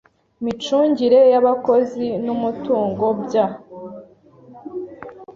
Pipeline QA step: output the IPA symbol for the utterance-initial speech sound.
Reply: m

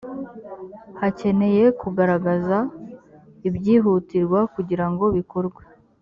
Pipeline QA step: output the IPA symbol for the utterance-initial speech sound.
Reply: h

